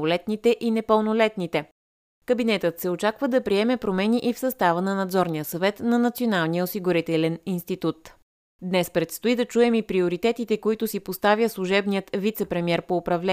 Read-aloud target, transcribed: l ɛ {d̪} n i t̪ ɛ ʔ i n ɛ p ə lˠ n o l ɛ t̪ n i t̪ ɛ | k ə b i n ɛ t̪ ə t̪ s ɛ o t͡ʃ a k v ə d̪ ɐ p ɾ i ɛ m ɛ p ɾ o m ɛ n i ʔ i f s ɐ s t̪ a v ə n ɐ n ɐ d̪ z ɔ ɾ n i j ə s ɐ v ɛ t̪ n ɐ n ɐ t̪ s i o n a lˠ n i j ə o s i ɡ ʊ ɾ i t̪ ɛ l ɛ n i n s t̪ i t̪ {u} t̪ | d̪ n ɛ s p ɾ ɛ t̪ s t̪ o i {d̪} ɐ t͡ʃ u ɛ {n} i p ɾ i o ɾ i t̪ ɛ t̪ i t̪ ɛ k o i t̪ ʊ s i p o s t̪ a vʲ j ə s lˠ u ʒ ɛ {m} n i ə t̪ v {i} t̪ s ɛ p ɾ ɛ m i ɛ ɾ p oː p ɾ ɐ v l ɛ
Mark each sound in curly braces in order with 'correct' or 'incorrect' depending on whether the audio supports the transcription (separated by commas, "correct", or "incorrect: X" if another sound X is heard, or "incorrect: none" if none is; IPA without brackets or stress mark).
incorrect: t̪, correct, correct, incorrect: m, incorrect: b, correct